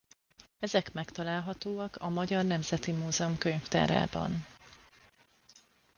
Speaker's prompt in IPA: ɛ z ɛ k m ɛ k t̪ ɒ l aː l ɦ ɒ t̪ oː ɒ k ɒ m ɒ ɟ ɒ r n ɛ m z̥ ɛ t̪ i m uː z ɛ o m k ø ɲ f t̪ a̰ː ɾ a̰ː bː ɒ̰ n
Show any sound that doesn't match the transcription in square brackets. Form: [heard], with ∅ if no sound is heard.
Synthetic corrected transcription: ɛ z ɛ k m ɛ k t̪ ɒ l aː l ɦ ɒ t̪ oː ɒ k ɒ m ɒ ɟ ɒ r n ɛ m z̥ ɛ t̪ i m uː z ɛ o m k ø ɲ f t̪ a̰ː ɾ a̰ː [b] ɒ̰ n